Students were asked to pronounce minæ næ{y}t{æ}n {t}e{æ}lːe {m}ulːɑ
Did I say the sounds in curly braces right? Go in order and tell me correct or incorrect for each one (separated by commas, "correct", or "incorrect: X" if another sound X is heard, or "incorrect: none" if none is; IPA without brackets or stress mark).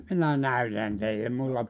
correct, correct, correct, incorrect: i, correct